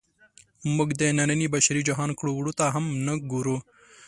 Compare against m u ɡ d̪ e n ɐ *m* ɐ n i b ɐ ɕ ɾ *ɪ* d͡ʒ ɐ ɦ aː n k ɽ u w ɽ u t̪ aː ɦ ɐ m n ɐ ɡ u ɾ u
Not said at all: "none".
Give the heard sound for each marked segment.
n, i

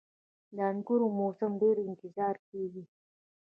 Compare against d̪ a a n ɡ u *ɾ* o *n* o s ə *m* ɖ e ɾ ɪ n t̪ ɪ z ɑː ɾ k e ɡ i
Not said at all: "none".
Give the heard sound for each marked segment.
ɾ, m, m

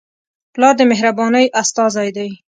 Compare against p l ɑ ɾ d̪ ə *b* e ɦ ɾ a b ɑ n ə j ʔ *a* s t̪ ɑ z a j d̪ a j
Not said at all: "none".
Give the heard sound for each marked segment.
m, a

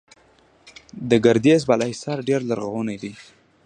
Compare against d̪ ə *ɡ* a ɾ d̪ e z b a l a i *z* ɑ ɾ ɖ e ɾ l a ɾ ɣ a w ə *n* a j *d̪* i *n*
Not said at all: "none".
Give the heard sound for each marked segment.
ɡ, s, n, d̪, none

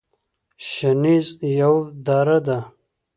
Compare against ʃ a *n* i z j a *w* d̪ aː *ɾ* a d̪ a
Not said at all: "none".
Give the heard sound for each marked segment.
n, w, ɾ

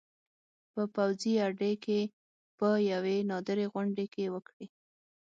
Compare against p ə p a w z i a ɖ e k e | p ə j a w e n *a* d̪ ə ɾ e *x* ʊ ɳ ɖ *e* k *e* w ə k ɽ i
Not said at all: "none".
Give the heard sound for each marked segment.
ɑ, ɣ, e, e

